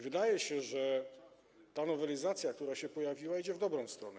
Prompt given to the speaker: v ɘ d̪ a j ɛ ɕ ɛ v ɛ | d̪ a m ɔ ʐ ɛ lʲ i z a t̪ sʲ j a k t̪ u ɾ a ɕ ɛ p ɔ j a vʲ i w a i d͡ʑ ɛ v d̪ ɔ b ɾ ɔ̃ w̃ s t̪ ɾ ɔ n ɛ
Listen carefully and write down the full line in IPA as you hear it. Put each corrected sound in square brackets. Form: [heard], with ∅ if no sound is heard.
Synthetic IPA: v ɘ d̪ a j ɛ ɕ ɛ [ʐ] ɛ | [t̪] a [n] ɔ [v] ɛ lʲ i z a t̪ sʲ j a k t̪ u ɾ a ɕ ɛ p ɔ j a vʲ i w a i d͡ʑ ɛ v d̪ ɔ b ɾ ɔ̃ w̃ s t̪ ɾ ɔ n ɛ

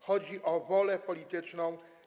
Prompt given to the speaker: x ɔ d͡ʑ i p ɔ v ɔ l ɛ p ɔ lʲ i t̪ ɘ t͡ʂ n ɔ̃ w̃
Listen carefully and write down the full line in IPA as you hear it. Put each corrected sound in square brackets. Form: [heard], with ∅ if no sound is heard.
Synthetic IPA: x ɔ d͡ʑ i [ʔ] ɔ v ɔ l ɛ p ɔ lʲ i t̪ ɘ t͡ʂ n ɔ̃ w̃

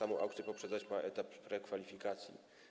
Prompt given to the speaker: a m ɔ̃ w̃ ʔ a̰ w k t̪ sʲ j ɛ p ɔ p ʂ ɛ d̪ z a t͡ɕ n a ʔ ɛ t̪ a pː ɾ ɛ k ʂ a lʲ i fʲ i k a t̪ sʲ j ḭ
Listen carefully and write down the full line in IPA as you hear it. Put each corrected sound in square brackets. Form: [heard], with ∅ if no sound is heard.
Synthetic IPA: a m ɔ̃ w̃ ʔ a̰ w k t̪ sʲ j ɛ p ɔ p ʂ ɛ d̪ z a t͡ɕ [m] a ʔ ɛ t̪ a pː ɾ ɛ k [f] a lʲ i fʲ i k a t̪ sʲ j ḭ

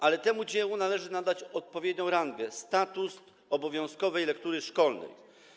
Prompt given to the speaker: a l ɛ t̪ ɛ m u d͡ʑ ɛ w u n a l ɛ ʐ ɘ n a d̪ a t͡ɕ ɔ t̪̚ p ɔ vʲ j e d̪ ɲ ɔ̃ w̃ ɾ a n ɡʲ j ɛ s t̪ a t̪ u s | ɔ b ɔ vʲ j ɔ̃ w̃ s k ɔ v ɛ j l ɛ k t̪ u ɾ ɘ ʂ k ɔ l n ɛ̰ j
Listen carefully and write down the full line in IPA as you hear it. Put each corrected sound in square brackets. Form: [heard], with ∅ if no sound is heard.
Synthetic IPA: a l ɛ t̪ ɛ m u d͡ʑ ɛ w u n a l ɛ ʐ ɘ n a d̪ a t͡ɕ ɔ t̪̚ p ɔ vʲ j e d̪ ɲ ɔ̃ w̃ ɾ a n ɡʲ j ɛ s t̪ a t̪ u s | ɔ b ɔ vʲ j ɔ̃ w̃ s k ɔ v ɛ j l ɛ k t̪ u ɾ ɘ ʂ k ɔ l n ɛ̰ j

